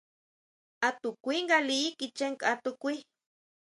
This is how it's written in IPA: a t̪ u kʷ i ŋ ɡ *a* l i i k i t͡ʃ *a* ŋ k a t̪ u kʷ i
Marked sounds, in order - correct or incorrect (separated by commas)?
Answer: correct, incorrect